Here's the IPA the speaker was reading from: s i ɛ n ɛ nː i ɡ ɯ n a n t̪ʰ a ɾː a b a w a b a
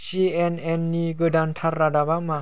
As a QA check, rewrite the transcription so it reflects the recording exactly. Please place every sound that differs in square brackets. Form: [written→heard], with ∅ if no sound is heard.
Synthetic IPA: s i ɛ n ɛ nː i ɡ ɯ [n→d] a n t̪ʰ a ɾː a [b→d] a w a [b→m] a